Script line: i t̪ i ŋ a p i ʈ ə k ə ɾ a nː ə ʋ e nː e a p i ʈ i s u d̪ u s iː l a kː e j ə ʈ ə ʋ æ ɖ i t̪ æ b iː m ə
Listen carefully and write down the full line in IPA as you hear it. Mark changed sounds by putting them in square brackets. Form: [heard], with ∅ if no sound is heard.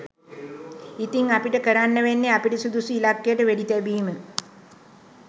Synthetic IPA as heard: i t̪ i ŋ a p i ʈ ə k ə ɾ a nː ə ʋ e nː e a p i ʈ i s u d̪ u s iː l a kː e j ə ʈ ə ʋ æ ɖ i t̪ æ b iː m ə